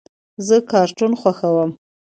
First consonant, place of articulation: alveolar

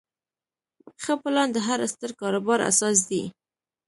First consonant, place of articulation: velar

